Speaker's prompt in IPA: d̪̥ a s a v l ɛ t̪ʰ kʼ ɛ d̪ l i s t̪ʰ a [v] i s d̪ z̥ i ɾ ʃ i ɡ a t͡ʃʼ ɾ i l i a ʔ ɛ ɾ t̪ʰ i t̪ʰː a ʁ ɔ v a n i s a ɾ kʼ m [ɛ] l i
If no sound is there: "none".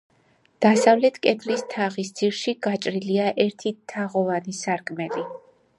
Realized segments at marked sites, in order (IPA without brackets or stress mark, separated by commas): ʁ, ɛ